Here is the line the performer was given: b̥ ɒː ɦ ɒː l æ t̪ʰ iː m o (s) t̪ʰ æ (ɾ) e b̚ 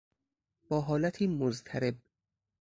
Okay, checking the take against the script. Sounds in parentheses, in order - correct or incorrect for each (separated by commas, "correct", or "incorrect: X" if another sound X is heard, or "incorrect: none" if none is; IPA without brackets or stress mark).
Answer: incorrect: z, correct